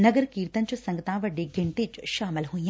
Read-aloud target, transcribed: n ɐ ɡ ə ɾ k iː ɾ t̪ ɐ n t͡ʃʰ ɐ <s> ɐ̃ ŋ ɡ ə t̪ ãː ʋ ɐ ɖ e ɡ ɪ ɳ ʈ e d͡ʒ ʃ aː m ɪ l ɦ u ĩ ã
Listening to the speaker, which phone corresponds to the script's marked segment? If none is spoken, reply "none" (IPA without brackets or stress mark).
s